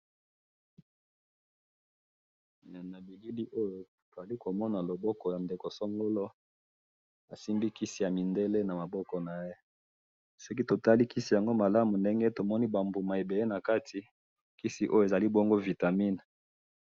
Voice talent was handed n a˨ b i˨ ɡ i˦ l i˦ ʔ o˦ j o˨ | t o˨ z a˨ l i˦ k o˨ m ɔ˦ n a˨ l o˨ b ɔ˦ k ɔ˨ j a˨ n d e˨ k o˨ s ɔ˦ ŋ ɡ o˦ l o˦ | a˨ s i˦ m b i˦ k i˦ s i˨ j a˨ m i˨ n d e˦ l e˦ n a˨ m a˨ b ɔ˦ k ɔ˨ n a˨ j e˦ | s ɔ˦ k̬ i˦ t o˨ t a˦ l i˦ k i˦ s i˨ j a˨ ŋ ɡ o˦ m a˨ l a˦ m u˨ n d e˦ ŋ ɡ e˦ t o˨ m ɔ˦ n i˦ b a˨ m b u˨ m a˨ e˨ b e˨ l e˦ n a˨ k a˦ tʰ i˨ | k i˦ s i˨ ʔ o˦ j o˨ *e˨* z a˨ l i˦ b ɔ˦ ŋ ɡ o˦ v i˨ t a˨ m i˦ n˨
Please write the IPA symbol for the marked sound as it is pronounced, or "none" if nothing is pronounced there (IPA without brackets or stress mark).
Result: e˨